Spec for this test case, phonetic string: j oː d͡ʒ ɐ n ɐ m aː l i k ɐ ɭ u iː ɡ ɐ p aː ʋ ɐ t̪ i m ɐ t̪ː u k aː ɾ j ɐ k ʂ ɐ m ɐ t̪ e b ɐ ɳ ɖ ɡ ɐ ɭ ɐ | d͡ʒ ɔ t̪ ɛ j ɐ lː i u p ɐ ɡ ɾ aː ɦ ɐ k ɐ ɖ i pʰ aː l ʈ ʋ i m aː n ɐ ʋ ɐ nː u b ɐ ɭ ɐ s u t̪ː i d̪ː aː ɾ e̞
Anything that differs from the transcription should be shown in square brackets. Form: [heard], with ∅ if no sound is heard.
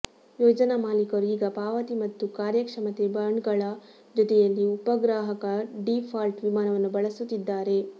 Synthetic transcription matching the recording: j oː d͡ʒ ɐ n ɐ m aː l i k ɐ [ɾ] u iː ɡ ɐ p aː ʋ ɐ t̪ i m ɐ t̪ː u k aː ɾ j ɐ k ʂ ɐ m ɐ t̪ e b ɐ ɳ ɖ ɡ ɐ ɭ ɐ | d͡ʒ ɔ t̪ ɛ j ɐ lː i u p ɐ ɡ ɾ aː ɦ ɐ k ɐ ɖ i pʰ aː l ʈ ʋ i m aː n ɐ ʋ ɐ nː u b ɐ ɭ ɐ s u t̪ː i d̪ː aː ɾ e̞